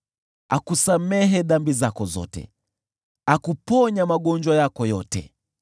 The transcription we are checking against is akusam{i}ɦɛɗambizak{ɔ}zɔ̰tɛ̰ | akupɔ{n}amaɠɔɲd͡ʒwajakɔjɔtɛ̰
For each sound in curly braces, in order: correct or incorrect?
incorrect: ɛ, correct, incorrect: ɲ

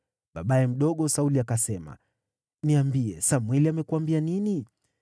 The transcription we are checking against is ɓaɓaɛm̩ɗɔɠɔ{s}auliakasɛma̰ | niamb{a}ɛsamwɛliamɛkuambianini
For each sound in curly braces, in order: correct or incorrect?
correct, incorrect: i

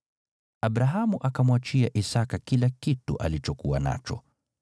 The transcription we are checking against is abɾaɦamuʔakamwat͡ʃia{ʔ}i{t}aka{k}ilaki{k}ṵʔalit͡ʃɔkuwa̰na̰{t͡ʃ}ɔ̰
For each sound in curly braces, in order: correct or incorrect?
correct, incorrect: s, correct, incorrect: t, correct

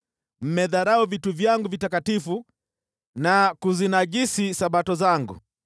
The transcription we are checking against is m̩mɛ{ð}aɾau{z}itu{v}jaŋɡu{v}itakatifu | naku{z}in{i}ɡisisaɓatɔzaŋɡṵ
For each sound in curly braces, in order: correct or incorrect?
correct, incorrect: v, correct, correct, correct, incorrect: a

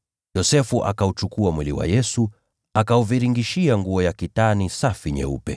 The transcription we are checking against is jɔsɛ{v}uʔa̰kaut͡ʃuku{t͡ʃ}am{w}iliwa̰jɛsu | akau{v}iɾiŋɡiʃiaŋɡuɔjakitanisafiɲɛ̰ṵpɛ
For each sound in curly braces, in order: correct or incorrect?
incorrect: f, incorrect: none, correct, correct

